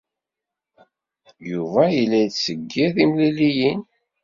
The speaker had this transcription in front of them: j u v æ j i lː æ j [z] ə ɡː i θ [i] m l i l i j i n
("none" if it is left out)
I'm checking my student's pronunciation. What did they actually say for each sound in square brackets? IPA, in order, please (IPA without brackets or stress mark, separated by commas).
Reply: s, i